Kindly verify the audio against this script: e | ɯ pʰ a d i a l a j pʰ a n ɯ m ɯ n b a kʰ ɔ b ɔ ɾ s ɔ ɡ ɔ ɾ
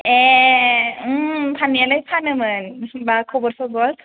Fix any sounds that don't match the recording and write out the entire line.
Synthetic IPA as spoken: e | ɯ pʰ a n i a l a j pʰ a n ɯ m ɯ n b a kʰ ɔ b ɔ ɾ s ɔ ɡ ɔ l